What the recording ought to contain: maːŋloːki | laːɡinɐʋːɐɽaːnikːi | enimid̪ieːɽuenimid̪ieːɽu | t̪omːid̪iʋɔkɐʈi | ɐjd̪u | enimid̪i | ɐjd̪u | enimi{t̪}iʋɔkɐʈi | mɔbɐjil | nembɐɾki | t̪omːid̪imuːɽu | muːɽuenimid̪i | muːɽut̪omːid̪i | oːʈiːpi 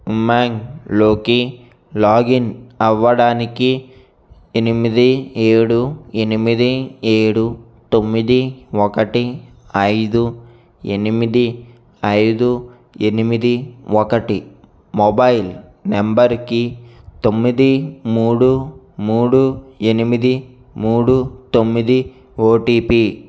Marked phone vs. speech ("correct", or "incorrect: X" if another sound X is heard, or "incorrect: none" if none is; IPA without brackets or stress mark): incorrect: d̪